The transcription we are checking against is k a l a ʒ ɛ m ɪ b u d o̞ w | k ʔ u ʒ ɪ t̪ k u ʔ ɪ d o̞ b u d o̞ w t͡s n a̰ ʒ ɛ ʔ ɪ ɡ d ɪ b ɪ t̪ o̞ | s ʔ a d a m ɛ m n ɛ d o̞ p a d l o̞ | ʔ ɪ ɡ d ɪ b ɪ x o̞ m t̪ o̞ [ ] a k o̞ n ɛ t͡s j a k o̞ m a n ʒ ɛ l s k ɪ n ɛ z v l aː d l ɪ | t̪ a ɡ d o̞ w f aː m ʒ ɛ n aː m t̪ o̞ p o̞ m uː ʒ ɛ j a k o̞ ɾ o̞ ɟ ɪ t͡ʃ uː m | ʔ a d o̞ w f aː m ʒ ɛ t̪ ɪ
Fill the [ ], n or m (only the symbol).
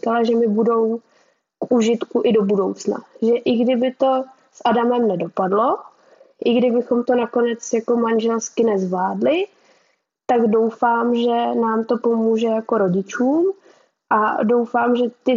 n